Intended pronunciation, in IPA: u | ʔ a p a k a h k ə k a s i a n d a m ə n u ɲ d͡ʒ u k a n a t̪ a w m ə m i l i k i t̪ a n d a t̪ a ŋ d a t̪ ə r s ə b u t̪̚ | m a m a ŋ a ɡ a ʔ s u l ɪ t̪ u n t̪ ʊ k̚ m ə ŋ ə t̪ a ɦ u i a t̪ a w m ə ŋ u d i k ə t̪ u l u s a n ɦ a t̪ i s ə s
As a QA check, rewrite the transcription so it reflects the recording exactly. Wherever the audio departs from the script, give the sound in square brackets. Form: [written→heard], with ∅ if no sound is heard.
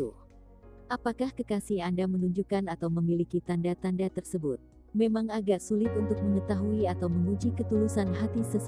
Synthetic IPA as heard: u | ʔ a p a k a h k ə k a s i a n d a m ə n u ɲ d͡ʒ u k a n a t̪ a w m ə m i l i k i t̪ a n d a t̪ a [ŋ→n] d a t̪ ə r s ə b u t̪̚ | m [a→e] m a ŋ a ɡ a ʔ s u l ɪ t̪ u n t̪ ʊ k̚ m ə ŋ ə t̪ a ɦ u i a t̪ a w m ə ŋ u [d→d͡ʒ] i k ə t̪ u l u s a n ɦ a t̪ i s ə s